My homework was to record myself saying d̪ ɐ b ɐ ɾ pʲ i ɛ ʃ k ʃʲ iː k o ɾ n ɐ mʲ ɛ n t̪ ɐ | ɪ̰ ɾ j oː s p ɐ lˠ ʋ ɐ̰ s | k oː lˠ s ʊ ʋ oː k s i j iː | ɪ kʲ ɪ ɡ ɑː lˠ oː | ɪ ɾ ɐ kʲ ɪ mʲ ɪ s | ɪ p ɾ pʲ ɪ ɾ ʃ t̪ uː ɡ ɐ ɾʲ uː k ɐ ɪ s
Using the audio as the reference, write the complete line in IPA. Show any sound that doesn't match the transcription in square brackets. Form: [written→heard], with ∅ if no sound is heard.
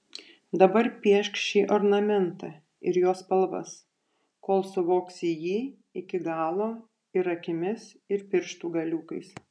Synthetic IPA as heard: d̪ ɐ b ɐ ɾ pʲ i ɛ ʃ k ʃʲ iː [k→ʔ] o ɾ n ɐ mʲ ɛ n t̪ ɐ | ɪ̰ ɾ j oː s p ɐ lˠ ʋ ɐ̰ s | k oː lˠ s ʊ ʋ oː k s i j iː | ɪ kʲ ɪ ɡ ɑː lˠ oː | ɪ ɾ ɐ kʲ ɪ mʲ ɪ s | ɪ [p→∅] ɾ pʲ ɪ ɾ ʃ t̪ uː ɡ ɐ [ɾʲ→lʲ] uː k ɐ ɪ s